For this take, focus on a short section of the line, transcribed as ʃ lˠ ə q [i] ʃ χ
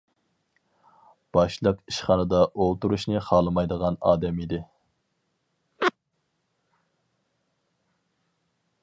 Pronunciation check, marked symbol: correct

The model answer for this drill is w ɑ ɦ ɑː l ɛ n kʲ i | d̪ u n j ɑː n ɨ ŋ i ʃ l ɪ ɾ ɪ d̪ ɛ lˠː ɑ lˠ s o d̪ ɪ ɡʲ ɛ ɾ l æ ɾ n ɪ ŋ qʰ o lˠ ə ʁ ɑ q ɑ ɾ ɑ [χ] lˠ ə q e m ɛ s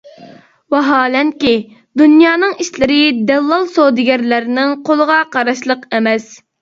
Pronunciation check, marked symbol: incorrect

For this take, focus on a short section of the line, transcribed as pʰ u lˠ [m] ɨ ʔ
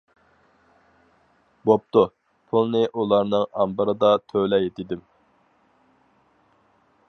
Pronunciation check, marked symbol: incorrect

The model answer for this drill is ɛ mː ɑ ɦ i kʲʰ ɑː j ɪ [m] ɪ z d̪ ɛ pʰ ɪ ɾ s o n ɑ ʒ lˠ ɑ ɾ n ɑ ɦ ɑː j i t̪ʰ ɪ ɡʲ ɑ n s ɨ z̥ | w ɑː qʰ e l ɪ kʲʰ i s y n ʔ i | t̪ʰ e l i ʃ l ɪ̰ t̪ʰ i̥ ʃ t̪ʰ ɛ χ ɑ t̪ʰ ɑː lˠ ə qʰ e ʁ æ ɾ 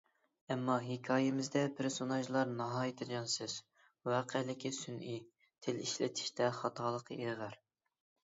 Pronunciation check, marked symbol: correct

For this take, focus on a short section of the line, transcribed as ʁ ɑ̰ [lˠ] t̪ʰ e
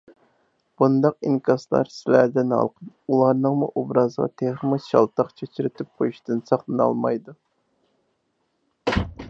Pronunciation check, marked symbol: incorrect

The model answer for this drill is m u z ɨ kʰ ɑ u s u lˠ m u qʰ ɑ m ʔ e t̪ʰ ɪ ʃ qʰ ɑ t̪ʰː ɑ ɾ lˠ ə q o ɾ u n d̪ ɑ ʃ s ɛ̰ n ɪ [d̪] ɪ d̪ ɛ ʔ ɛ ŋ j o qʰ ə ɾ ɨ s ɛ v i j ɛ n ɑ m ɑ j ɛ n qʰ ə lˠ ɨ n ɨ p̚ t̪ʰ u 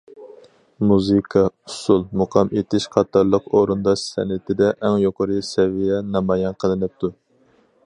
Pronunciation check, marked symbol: incorrect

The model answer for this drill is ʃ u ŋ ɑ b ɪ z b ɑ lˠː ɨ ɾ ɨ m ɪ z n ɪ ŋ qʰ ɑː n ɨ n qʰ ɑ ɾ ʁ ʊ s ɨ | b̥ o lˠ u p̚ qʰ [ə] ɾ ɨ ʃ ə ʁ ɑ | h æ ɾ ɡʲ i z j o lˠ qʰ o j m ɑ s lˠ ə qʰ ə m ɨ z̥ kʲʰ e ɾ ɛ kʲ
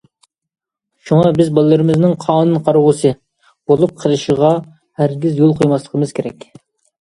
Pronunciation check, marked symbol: correct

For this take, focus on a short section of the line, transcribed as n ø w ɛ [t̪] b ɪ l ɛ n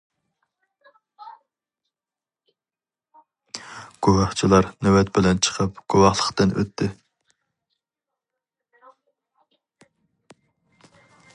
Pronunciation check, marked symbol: correct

